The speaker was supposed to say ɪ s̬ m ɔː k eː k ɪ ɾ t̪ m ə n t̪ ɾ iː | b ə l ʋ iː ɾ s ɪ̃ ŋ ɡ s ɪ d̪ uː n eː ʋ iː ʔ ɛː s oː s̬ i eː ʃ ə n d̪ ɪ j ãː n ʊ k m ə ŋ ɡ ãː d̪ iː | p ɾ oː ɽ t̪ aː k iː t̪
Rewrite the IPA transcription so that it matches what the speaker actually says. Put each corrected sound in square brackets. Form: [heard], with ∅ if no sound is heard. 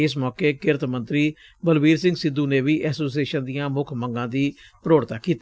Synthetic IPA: ɪ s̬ m ɔː k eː k ɪ ɾ t̪ m ə n t̪ ɾ iː | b ə l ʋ iː ɾ s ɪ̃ ŋ ɡ s ɪ d̪ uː n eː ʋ iː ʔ ɛː s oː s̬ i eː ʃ ə n d̪ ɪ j ãː [m] ʊ [kʰ] m ə ŋ ɡ ãː d̪ iː | p ɾ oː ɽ t̪ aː k iː t̪